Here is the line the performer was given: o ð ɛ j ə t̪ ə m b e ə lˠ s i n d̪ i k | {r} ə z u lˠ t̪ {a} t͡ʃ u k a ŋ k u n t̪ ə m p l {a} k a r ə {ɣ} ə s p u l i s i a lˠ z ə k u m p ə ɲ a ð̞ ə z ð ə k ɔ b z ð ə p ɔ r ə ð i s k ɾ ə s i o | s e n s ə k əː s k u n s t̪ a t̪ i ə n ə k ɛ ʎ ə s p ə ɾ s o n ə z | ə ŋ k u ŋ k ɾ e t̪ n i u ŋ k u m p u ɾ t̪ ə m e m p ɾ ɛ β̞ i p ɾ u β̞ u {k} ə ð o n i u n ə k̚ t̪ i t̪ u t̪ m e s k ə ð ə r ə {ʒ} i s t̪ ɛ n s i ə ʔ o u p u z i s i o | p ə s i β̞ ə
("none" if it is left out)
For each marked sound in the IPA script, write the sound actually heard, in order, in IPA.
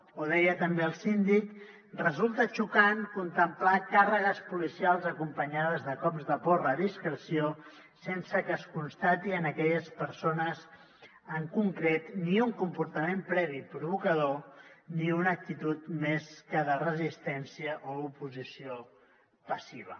r, ə, a, ɣ, k, z

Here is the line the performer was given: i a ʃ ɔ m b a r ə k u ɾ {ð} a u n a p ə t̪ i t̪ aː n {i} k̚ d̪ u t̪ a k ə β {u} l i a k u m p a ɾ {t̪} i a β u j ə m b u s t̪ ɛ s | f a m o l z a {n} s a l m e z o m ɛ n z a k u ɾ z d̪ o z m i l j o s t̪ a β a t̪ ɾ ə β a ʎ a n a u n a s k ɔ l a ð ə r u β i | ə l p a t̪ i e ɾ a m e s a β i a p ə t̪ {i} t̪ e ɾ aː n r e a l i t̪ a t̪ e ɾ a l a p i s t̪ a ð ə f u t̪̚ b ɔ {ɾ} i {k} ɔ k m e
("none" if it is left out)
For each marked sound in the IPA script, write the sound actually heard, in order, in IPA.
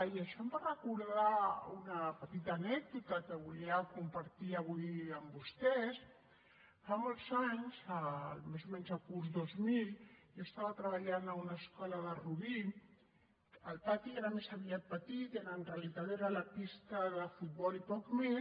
ð, ɛ, u, t̪, ɲ, i, l, p

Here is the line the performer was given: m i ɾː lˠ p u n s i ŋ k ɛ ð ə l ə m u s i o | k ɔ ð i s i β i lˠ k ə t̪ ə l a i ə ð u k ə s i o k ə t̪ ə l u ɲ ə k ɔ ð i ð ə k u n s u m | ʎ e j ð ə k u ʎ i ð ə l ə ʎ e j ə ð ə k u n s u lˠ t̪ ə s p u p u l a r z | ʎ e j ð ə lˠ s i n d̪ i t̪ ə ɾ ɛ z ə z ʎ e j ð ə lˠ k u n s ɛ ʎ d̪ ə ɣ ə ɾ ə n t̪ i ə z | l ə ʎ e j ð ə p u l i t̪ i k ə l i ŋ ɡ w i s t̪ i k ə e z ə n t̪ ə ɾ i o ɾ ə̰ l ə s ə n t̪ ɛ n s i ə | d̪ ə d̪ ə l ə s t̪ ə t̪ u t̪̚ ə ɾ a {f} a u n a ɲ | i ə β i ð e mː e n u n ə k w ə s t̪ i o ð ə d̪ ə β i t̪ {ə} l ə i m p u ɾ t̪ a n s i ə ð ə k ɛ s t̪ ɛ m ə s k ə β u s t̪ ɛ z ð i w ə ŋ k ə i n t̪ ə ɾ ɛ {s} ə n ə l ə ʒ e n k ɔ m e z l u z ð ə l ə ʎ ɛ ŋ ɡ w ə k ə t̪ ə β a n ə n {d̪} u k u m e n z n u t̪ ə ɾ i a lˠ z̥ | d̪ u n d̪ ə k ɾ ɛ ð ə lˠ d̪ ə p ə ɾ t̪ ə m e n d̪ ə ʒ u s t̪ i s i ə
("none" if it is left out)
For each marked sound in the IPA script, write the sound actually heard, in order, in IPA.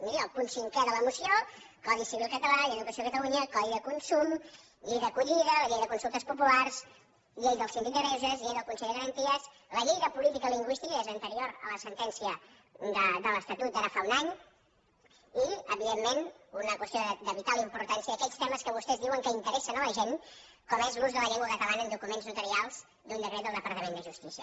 f, a, s, d̪

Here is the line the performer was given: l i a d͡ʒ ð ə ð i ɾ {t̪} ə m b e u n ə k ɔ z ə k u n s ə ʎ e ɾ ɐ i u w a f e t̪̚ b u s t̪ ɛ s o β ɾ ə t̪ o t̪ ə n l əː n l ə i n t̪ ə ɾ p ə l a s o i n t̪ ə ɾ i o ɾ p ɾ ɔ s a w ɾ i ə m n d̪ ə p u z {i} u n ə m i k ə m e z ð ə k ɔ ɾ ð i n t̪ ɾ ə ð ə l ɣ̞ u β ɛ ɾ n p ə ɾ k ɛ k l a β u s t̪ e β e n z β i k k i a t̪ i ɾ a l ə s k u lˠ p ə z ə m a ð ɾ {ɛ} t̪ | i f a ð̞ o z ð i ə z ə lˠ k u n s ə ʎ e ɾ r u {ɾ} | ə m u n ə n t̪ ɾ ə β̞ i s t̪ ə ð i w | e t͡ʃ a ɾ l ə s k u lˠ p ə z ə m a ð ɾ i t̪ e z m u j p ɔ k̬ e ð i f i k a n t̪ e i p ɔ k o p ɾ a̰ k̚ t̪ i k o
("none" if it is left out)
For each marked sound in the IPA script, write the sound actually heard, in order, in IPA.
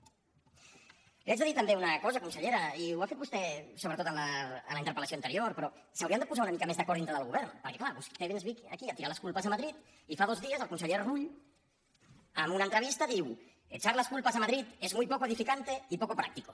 t̪, a, i, ʎ

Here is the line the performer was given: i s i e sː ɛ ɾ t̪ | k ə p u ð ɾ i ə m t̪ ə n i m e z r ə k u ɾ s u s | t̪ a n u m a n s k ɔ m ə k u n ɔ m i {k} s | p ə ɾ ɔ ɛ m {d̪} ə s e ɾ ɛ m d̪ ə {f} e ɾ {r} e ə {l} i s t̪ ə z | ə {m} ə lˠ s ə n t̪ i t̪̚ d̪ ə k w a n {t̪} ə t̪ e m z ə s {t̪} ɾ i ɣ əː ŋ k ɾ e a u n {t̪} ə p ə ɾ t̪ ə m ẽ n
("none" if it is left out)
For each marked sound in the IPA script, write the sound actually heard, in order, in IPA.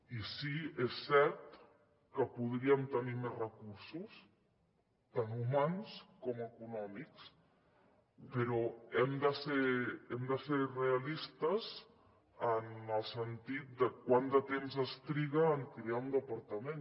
k, d̪, s, r, l, n, d̪, t̪, d̪

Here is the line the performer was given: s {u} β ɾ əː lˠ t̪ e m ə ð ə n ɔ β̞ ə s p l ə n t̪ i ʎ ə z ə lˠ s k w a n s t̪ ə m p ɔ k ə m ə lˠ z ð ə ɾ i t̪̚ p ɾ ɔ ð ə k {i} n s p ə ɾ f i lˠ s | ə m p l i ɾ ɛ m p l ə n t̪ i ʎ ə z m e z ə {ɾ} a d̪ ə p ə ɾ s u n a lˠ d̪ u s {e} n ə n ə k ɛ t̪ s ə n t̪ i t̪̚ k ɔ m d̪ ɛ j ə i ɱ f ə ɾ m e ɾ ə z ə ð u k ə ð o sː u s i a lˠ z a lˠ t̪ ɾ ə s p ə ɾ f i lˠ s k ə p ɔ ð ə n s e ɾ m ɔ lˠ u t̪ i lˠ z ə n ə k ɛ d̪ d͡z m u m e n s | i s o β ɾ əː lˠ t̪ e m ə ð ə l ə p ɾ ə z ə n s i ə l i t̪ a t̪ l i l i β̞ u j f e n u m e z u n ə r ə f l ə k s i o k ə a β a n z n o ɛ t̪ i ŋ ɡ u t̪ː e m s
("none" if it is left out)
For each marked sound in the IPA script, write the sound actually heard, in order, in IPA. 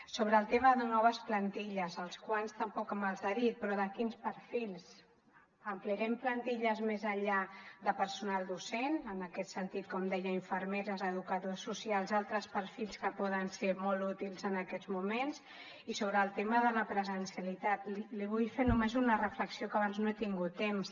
o, i, ʎ, e

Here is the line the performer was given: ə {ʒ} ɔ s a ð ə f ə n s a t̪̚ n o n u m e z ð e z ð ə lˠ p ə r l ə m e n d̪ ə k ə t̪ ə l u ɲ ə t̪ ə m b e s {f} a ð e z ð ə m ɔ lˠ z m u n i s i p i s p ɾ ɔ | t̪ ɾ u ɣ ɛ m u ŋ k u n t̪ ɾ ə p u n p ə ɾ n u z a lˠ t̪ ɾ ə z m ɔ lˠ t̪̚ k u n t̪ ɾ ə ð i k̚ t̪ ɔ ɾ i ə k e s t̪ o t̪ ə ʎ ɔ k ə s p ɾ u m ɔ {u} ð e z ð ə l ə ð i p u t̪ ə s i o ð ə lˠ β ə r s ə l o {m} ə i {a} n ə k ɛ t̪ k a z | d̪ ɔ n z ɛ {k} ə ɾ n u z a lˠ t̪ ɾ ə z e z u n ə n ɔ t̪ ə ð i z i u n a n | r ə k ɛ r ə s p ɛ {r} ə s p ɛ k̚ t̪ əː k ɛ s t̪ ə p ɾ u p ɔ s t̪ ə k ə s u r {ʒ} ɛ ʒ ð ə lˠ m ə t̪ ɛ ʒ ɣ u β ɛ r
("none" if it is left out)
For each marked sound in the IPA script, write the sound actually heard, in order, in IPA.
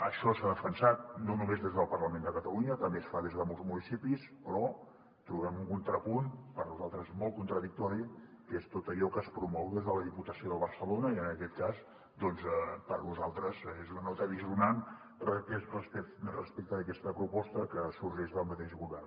ʃ, f, w, n, ə, p, r, ʒ

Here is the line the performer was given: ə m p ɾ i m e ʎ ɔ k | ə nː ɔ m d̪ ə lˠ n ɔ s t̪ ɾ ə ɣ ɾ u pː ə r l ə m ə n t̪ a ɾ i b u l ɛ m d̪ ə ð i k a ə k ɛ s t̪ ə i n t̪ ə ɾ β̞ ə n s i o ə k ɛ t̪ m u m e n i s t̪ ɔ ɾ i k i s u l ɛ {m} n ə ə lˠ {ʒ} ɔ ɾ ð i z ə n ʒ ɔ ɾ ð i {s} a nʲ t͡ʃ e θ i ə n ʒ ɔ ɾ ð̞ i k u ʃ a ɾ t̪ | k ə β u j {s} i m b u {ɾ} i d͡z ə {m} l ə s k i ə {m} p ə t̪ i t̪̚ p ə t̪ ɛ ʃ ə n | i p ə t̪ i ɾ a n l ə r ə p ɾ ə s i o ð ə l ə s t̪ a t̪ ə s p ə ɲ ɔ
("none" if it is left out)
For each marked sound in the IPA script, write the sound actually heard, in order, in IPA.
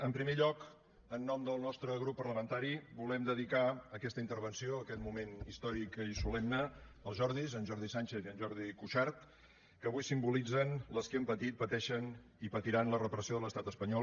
m, ʒ, s, s, l, n, m

